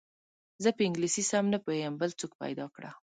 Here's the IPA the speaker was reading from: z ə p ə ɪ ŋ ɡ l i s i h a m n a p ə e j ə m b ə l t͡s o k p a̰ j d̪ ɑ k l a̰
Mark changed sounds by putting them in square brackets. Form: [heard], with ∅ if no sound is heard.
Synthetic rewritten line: z ə p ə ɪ ŋ ɡ l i s i [s] a m n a p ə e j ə m b ə l t͡s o k p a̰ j d̪ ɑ k [ɽ] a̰